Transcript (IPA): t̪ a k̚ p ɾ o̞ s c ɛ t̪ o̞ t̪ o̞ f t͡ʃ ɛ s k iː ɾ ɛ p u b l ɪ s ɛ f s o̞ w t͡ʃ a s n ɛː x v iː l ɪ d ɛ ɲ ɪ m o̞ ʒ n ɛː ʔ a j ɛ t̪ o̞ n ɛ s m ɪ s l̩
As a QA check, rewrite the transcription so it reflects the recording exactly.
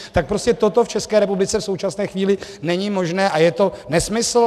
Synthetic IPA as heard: t̪ a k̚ p ɾ o̞ s c ɛ t̪ o̞ t̪ o̞ f t͡ʃ ɛ s k ɛː ɾ ɛ p u b l ɪ t͡s ɛ f s o̞ w t͡ʃ a s n ɛː x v iː l ɪ n ɛ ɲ ɪ m o̞ ʒ n ɛː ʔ a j ɛ t̪ o̞ n ɛ s m ɪ s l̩